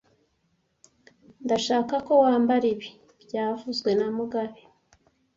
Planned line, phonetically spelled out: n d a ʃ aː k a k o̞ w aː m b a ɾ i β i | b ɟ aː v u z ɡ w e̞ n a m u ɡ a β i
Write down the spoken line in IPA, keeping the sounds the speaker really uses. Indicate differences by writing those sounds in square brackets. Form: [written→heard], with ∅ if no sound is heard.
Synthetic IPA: n d a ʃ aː k a k o̞ w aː m b a ɾ i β i | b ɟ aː v u z ɡ w e̞ n a m u ɡ a β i